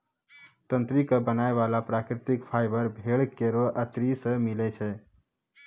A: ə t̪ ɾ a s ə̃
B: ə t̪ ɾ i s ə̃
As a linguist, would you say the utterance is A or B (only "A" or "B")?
B